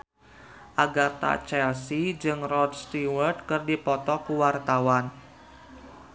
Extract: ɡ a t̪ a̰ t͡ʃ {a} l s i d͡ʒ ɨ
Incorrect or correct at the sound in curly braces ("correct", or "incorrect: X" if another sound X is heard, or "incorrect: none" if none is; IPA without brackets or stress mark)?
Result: incorrect: ɛ